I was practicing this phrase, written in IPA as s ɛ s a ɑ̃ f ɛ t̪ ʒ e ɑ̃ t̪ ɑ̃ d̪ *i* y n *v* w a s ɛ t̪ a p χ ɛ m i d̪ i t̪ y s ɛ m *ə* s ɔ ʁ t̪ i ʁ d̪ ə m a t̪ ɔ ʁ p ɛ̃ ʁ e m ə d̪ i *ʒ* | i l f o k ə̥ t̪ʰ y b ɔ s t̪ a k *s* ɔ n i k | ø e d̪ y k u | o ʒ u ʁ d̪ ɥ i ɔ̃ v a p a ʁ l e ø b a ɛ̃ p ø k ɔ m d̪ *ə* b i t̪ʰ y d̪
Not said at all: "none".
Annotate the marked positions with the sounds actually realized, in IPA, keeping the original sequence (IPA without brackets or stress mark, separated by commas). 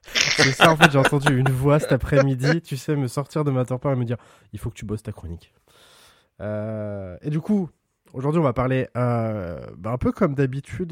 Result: y, v, ə, ʁ, χ, a